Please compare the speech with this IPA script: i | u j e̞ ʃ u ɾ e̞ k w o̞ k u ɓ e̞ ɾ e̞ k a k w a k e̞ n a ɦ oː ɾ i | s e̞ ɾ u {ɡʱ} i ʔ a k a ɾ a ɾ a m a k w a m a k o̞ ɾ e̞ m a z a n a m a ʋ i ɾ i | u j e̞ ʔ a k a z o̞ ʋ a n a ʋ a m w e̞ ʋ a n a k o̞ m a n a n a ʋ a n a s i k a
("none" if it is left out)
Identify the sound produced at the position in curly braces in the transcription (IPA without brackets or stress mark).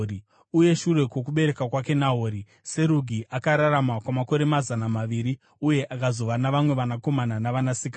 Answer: ɡʱ